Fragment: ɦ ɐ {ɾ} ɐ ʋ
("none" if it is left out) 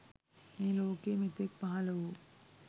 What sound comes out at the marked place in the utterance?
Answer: l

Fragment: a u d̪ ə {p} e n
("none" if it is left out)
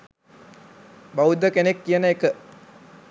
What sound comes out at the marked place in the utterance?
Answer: k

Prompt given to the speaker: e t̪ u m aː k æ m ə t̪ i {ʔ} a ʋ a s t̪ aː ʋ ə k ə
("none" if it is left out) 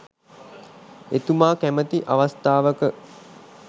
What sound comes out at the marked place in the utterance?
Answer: ʔ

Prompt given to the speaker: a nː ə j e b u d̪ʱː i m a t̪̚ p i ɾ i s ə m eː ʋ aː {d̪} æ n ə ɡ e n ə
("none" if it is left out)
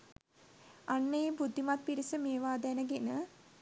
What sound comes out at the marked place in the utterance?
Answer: d̪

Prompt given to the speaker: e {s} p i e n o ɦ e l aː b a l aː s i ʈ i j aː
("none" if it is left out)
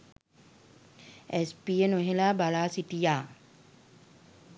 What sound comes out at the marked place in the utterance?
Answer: s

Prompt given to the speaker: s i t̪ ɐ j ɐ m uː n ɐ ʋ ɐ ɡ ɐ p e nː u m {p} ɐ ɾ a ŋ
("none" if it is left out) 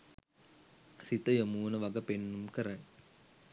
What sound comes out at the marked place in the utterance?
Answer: k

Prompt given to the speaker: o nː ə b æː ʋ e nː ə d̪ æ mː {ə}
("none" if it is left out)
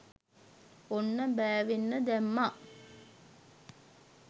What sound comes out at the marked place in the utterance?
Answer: a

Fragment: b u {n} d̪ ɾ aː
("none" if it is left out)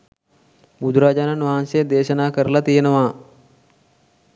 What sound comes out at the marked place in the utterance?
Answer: none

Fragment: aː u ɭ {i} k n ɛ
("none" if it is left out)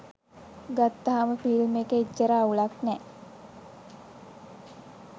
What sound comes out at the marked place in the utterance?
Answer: a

